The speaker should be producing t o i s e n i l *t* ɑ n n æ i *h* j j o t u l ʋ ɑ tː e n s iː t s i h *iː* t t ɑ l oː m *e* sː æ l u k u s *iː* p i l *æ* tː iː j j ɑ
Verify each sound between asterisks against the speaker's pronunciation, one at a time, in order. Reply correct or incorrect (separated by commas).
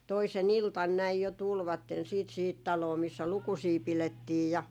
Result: correct, incorrect, incorrect, incorrect, correct, incorrect